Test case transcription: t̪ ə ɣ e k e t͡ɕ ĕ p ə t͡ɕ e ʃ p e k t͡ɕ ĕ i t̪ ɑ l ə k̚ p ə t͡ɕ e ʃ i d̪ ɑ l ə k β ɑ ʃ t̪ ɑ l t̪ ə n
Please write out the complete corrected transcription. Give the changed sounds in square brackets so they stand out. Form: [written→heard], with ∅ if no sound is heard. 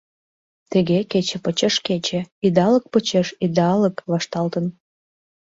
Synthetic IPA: t̪ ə ɣ e k e t͡ɕ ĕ p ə t͡ɕ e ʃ [p→k] e [k→∅] t͡ɕ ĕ i [t̪→d̪] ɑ l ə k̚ p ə t͡ɕ e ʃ i d̪ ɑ l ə k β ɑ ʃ t̪ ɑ l t̪ ə n